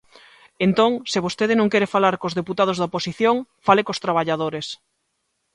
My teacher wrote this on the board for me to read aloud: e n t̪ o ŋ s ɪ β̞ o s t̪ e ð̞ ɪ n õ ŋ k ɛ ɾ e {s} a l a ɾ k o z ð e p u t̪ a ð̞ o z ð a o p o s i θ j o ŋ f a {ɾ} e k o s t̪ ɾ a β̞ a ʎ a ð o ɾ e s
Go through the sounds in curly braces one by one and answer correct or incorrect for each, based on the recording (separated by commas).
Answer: incorrect, incorrect